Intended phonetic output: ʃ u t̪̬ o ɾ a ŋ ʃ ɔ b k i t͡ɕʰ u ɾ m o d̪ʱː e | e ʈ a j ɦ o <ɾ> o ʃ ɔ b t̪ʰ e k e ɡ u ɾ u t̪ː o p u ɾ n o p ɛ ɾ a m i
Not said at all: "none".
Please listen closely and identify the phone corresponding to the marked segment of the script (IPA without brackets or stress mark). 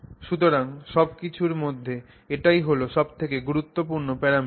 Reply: l